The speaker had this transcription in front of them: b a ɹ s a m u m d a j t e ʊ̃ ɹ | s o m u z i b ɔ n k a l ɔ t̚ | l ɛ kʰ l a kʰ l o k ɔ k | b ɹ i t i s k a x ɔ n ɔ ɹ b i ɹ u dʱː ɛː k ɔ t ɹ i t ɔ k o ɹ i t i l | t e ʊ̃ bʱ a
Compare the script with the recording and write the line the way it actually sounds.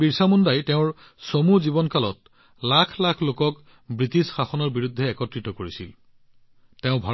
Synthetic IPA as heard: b i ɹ s a m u n d a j t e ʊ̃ ɹ | s o m u z i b ɔ n k a l ɔ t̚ | l a kʰ l a kʰ l o k ɔ k | b ɹ i t i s x a x ɔ n ɔ ɹ b i ɹ u dʱː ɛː k ɔ t ɹ i t ɔ k o ɹ i s i l | t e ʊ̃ bʱ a